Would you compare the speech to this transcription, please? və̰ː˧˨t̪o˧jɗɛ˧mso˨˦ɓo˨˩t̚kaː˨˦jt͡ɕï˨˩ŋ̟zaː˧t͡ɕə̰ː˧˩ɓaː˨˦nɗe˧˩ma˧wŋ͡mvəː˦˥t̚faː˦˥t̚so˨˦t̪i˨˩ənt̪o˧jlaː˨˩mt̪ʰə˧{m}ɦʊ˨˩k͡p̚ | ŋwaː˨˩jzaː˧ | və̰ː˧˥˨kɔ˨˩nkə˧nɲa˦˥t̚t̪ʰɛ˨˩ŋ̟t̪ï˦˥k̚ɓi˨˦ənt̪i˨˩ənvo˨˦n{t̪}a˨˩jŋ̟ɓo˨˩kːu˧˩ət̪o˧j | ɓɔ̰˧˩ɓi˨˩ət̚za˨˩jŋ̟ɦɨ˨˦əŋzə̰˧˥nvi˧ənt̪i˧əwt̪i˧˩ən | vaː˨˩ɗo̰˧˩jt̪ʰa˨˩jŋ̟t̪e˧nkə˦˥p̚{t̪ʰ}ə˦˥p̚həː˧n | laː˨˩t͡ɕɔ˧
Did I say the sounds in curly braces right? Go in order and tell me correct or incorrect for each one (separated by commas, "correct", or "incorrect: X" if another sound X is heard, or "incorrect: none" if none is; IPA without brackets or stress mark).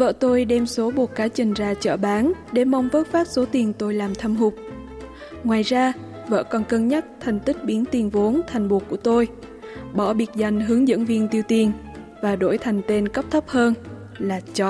correct, incorrect: t̪ʰ, correct